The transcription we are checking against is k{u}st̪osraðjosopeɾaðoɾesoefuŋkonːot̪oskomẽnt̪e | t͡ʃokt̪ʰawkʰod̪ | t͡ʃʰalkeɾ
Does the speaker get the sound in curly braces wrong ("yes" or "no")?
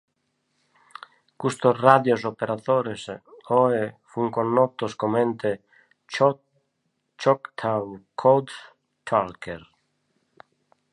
no